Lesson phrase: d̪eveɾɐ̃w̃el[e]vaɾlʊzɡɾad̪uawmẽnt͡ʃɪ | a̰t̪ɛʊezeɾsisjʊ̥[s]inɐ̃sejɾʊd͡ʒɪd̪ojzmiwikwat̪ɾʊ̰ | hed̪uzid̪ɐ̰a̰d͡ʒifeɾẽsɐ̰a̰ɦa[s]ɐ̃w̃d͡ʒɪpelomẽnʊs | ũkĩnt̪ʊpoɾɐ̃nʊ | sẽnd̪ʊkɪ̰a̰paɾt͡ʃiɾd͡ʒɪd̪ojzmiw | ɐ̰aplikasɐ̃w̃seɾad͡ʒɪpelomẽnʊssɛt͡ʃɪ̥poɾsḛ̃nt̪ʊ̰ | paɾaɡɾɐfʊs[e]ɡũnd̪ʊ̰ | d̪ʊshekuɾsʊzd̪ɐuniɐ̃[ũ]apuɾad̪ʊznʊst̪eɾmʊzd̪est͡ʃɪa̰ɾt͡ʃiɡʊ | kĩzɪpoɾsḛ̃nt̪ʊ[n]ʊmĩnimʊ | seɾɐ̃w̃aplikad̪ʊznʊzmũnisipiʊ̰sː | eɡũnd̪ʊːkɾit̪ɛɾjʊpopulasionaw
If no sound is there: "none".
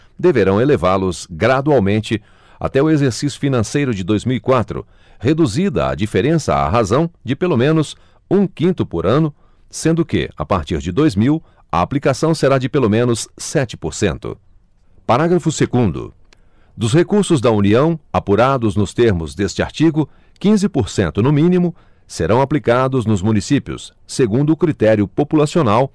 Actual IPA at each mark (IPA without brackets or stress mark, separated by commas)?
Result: e, f, z, e, w̃, n